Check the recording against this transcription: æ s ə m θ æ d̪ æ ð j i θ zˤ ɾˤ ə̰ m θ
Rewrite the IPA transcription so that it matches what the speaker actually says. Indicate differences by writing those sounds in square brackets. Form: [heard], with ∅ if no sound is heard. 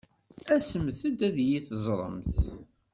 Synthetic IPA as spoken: æ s ə m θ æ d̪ æ ð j i θ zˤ ɾˤ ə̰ m θ

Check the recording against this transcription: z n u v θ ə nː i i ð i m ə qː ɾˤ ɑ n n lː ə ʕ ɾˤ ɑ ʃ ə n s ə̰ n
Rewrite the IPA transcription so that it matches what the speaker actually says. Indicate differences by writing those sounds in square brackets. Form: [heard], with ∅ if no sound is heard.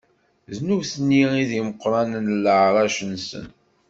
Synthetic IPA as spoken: z n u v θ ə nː i i ð i m ə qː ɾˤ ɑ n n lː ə ʕ ɾˤ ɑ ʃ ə n s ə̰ n

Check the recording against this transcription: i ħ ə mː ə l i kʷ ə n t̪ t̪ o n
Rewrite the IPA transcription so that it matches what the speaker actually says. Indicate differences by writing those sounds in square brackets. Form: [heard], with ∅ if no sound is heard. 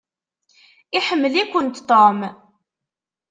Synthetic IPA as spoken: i ħ ə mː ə l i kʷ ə n t̪ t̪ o [m]

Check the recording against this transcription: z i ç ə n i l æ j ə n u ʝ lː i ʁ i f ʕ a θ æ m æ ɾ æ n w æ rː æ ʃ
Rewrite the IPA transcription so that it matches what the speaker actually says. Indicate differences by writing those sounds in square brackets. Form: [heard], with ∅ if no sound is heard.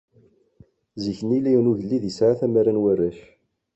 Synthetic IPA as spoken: z i ç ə n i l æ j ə n u ʝ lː i [ð] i [s] ʕ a θ æ m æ ɾ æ n w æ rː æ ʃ

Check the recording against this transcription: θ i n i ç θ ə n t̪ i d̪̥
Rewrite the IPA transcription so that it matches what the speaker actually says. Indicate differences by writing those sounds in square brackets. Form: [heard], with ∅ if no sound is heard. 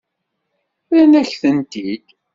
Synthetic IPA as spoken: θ [æ] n [æ] ç θ ə n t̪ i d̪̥

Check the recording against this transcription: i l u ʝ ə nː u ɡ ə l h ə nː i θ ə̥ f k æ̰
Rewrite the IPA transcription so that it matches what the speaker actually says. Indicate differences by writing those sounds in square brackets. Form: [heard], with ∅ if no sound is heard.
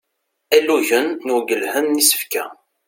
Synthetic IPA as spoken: [æ] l u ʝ ə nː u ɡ ə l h ə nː i [s] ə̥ f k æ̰

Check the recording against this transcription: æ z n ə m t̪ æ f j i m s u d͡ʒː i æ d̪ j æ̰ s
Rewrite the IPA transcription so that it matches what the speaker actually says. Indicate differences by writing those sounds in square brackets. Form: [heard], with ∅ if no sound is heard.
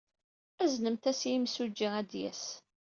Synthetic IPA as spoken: æ z n ə m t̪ æ [s] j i m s u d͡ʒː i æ d̪ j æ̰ s

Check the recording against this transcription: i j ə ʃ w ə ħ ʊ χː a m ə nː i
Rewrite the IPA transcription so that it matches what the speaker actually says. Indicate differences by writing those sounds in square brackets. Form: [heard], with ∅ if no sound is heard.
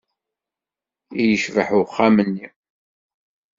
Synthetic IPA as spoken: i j ə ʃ [v] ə ħ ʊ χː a m ə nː i

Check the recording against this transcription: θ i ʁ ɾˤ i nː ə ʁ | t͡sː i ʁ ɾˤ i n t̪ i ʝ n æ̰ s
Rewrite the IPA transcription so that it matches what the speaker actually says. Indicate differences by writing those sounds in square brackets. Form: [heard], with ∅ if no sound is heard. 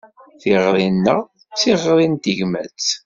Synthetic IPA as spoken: θ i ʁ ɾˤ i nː ə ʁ | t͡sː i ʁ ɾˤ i n t̪ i ʝ [m] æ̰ [t͡s]

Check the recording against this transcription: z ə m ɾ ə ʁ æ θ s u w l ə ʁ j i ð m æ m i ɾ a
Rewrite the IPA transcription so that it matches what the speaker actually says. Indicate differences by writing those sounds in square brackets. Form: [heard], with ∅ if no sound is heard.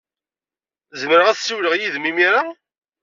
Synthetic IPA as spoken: z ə m ɾ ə ʁ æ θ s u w l ə ʁ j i ð m [i] m i ɾ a

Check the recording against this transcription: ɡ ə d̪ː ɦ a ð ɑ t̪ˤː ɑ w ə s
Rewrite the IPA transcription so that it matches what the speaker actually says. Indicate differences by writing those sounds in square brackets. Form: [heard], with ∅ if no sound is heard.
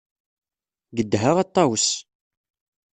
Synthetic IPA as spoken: ɡ ə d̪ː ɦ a [ʁ] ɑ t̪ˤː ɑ w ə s

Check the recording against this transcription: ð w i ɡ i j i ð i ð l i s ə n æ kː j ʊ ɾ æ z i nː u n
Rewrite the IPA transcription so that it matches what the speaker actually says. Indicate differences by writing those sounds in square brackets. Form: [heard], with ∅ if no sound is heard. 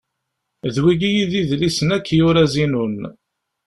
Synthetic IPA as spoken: ð w i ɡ i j i ð i ð l i s ə n æ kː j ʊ ɾ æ z i [n] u n

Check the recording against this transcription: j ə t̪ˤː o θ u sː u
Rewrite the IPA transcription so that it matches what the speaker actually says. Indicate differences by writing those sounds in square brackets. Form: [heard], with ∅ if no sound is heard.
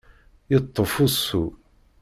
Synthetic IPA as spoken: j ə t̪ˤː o [f] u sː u

